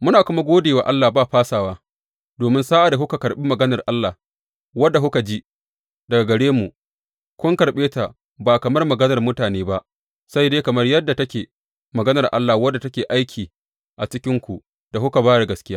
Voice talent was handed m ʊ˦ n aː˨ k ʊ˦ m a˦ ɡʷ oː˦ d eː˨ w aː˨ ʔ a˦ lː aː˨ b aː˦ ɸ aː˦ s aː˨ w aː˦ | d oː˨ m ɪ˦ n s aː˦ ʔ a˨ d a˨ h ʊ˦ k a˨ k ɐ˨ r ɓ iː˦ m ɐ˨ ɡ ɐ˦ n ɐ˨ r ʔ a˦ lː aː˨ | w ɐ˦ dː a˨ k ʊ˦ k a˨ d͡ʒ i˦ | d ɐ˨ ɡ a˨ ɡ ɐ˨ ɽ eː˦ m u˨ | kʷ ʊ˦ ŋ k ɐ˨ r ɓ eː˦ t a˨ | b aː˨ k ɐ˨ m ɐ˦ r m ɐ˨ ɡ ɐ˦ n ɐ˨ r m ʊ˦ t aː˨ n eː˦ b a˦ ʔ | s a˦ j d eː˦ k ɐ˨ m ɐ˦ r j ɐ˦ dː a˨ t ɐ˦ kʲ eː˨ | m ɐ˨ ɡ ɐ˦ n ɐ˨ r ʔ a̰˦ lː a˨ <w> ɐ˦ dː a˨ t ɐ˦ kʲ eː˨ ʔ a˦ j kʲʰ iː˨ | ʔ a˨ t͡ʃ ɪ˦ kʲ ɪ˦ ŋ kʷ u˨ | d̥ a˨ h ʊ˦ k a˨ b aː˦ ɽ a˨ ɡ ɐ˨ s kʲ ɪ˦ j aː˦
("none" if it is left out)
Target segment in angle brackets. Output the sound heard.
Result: w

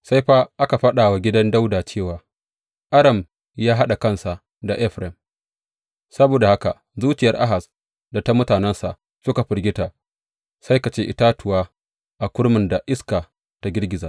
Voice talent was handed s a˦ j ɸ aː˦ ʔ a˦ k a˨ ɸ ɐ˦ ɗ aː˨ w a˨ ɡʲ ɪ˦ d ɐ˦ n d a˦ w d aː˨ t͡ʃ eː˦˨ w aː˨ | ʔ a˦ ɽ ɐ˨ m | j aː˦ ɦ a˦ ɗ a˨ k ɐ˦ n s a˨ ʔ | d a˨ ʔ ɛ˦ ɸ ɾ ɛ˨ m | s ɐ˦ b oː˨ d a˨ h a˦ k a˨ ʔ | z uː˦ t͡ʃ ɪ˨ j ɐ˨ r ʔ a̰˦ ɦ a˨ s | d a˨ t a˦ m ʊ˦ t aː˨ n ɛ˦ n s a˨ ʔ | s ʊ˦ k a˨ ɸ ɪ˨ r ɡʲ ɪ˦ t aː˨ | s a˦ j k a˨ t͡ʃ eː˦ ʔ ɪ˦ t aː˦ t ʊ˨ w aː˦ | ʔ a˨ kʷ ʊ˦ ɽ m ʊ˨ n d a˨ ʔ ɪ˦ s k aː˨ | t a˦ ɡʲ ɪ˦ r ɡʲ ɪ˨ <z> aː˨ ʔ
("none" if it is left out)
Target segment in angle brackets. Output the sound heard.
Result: z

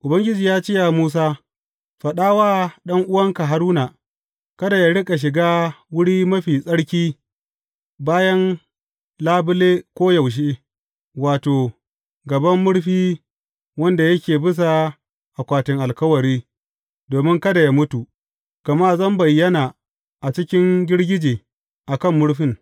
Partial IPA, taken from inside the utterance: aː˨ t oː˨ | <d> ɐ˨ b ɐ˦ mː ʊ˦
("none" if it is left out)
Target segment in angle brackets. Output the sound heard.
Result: ɡ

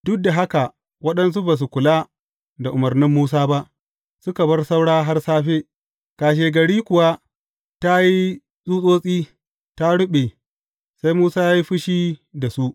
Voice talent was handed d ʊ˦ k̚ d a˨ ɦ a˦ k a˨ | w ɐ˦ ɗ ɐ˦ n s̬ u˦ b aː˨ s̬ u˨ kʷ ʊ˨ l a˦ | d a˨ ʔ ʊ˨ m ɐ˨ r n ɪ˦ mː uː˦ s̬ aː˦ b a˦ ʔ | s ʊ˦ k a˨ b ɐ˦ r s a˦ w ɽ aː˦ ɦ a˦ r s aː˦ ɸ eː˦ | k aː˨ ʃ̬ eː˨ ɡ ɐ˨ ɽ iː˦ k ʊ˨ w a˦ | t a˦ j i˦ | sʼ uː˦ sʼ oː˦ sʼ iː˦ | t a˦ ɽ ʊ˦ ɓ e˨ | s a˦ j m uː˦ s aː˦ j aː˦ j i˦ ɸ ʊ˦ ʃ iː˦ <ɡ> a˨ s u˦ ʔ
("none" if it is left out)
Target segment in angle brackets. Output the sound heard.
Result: d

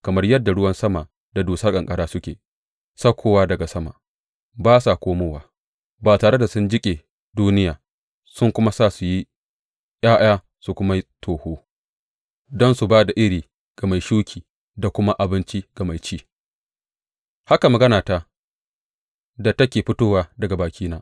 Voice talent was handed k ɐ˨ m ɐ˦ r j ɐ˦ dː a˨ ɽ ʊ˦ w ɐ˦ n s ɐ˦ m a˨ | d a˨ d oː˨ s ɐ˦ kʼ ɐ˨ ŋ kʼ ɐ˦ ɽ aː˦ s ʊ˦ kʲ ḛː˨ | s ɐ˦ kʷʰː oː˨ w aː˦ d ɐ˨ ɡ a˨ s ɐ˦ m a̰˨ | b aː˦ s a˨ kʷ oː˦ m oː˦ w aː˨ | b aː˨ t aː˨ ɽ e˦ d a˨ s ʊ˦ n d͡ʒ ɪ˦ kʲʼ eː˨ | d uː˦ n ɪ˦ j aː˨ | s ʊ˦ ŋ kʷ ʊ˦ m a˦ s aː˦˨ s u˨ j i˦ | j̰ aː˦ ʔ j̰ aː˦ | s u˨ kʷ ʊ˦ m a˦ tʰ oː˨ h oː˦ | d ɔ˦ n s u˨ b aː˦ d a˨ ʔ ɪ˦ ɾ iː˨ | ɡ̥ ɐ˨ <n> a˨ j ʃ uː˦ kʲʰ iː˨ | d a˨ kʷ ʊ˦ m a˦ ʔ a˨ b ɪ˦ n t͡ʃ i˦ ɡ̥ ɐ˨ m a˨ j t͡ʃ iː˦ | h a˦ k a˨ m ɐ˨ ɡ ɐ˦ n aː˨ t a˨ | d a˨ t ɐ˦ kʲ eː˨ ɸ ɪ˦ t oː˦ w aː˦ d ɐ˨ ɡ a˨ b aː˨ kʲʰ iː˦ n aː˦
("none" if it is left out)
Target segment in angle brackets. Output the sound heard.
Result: m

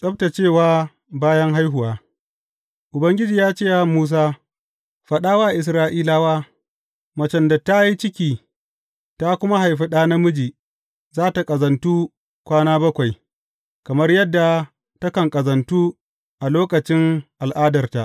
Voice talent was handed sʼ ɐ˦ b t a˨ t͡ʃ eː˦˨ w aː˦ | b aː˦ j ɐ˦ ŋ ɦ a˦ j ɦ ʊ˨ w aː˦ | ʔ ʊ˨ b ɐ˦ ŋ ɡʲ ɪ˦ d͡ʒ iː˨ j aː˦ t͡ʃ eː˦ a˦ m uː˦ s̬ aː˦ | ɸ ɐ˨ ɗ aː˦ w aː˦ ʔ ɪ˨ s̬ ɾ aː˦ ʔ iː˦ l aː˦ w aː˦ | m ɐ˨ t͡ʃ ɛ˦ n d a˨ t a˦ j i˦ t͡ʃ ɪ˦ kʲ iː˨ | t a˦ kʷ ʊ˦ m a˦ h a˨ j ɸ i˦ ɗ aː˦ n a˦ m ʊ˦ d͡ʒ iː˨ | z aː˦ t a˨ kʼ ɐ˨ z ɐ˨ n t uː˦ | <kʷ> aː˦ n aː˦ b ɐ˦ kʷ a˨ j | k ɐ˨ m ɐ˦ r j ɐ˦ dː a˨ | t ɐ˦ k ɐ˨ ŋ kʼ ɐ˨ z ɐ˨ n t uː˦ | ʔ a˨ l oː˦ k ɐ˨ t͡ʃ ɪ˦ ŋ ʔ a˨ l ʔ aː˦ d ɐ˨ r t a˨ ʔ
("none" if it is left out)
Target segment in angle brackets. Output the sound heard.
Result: kʷ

